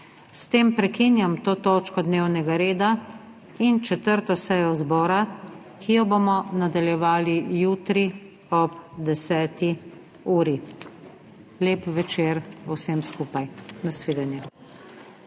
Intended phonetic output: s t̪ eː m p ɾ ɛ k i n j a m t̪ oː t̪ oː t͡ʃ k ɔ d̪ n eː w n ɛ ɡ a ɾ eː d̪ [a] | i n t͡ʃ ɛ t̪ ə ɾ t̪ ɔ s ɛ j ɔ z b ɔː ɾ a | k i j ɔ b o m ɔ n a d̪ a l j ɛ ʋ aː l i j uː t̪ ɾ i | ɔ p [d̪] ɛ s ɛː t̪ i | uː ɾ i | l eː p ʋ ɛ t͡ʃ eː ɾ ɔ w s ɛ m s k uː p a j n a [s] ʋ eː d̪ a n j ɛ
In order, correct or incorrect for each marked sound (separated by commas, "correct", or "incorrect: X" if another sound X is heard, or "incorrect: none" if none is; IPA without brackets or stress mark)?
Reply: correct, correct, correct